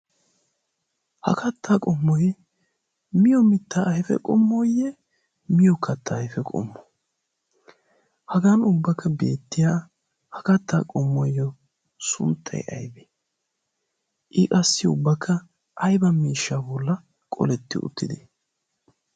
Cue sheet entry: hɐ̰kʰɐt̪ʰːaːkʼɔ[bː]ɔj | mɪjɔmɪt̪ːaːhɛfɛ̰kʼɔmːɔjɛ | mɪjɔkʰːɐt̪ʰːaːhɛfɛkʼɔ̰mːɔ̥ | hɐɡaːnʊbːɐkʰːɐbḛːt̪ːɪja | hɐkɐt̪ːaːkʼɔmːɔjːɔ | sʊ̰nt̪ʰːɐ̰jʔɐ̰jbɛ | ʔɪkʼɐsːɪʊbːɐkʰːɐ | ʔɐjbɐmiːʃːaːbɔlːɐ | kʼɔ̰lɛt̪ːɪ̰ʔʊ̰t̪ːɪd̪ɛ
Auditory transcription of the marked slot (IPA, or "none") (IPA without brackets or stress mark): mː